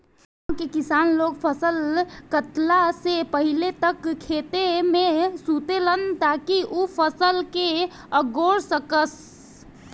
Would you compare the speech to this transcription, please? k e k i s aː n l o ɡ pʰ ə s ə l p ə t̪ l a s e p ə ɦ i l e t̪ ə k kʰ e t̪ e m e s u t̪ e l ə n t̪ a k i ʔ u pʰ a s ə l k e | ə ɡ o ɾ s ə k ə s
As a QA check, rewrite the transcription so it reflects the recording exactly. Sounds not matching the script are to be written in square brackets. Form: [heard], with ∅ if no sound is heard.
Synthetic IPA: k e k i s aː n l o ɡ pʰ ə s ə l [k] ə t̪ l a s e p ə ɦ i l e t̪ ə k kʰ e t̪ e m e s u t̪ e l ə n t̪ a k i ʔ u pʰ [ə] s ə l k e | ə ɡ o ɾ s ə k ə s